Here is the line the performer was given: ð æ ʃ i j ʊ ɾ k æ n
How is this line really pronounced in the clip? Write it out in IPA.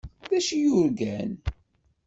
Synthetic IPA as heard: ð æ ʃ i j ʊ ɾ ɡ æ n